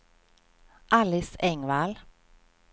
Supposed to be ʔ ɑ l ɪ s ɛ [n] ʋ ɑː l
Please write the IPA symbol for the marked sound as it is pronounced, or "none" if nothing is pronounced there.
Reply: ŋ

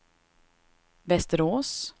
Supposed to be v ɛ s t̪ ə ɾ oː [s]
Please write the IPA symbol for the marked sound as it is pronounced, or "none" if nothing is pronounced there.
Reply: s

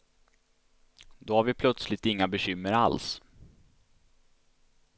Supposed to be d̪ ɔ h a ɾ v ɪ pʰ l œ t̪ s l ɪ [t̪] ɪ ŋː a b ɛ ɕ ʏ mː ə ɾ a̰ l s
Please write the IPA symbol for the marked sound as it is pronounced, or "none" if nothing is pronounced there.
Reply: t̪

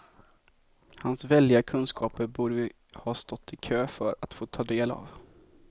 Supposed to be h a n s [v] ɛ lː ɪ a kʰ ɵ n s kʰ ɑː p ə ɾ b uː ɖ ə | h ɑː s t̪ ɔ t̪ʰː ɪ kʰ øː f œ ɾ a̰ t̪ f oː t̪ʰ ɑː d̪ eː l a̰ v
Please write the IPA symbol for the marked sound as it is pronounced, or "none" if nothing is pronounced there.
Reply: v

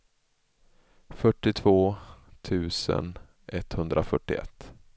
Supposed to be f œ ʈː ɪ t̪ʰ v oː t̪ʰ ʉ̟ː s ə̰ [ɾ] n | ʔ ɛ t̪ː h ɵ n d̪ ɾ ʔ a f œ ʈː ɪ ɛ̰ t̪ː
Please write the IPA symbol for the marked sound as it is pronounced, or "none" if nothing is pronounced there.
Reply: none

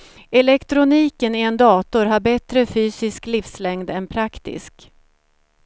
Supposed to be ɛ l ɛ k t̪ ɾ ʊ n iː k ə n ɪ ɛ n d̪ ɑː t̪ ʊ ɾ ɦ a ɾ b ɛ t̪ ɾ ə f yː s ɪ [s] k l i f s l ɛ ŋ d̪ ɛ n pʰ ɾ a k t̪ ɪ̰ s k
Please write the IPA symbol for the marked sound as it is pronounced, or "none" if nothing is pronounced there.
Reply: s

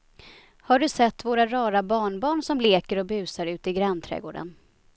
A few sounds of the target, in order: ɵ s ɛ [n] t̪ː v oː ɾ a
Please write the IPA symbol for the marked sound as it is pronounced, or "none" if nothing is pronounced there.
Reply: none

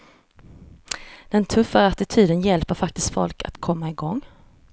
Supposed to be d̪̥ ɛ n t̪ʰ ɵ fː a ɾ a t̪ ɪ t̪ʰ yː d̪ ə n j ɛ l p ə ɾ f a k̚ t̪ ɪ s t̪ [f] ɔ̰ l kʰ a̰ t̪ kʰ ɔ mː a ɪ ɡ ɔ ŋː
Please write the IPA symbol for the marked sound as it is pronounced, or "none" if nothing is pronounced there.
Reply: f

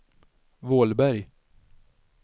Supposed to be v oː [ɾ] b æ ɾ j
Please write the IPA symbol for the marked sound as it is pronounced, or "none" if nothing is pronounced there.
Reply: l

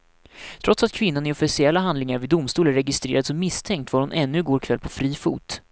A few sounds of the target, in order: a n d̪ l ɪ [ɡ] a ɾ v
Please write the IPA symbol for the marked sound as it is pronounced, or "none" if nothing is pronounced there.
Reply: ŋ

